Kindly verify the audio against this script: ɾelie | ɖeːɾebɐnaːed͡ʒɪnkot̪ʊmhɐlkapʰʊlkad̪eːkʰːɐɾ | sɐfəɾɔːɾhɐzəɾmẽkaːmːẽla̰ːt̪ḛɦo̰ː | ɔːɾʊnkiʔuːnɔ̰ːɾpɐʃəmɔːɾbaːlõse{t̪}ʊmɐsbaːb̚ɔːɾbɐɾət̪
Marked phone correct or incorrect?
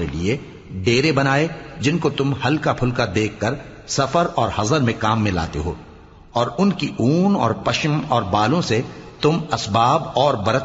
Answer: correct